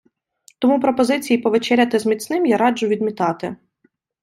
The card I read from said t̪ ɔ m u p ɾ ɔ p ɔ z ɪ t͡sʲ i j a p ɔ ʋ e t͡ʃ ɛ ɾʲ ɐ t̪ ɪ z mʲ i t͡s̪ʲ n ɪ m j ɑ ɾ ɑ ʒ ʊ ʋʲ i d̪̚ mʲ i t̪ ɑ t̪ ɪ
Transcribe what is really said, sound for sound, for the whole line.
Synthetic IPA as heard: t̪ ɔ m u p ɾ ɔ p ɔ z ɪ t͡sʲ i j i p ɔ ʋ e t͡ʃ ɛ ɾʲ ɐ t̪ ɪ z mʲ i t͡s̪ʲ n ɪ m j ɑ ɾ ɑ d͡ʒ ʊ ʋʲ i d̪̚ mʲ i t̪ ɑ t̪ ɪ